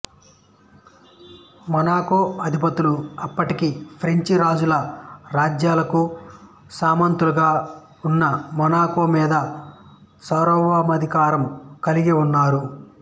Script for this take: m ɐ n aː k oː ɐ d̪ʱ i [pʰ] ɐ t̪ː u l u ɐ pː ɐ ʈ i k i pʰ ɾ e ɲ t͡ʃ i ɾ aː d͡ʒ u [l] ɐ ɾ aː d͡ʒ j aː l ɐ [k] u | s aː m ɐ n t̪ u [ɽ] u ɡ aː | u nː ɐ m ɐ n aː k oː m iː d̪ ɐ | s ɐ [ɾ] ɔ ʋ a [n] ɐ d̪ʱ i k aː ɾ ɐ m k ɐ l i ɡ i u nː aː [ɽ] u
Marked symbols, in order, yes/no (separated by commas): no, yes, yes, no, yes, no, no